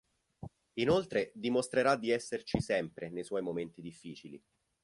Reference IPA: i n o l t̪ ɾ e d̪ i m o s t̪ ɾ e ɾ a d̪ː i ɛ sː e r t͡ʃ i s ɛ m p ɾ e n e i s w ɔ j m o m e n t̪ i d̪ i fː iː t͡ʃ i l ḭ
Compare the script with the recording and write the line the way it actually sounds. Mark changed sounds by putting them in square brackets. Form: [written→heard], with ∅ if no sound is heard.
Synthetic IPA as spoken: i n o l t̪ ɾ e d̪ i m o s t̪ ɾ e ɾ a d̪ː i ɛ sː e r t͡ʃ i s ɛ m p ɾ e n e [i→j] s w ɔ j m o m e n t̪ i d̪ i fː iː t͡ʃ i l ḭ